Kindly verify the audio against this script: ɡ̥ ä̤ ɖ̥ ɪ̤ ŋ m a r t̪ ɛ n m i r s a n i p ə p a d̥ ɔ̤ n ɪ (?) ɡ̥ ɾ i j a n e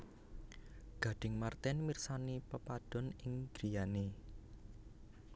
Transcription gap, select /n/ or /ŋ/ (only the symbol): ŋ